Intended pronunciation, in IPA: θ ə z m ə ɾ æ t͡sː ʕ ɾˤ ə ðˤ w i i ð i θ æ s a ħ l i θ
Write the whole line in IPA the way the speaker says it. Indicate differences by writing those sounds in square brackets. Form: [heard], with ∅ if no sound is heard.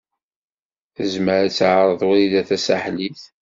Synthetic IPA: θ ə z m ə ɾ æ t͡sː ʕ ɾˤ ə ðˤ w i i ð [æ] θ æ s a ħ l i θ